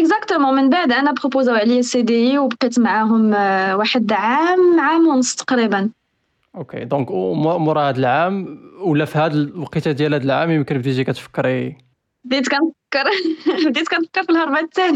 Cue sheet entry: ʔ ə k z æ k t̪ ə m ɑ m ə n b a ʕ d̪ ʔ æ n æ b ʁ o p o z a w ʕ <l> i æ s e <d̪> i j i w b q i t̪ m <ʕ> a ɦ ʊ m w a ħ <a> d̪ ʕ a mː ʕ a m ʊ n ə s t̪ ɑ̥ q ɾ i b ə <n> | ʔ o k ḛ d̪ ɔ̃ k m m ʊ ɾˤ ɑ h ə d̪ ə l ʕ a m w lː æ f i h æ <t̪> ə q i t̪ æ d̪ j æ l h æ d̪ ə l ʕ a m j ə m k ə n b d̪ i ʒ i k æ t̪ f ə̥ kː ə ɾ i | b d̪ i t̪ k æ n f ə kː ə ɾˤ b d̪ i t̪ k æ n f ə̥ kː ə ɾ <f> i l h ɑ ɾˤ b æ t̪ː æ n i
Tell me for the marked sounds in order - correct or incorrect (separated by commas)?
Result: correct, correct, correct, incorrect, correct, incorrect, correct